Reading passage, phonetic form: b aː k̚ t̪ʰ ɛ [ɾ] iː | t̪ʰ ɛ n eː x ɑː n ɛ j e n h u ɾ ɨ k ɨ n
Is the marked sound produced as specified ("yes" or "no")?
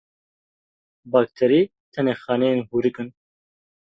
yes